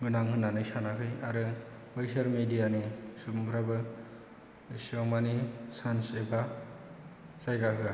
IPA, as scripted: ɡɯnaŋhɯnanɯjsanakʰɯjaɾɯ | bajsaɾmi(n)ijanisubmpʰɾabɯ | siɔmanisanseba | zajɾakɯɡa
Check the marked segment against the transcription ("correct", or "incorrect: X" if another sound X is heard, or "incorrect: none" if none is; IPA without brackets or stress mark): incorrect: d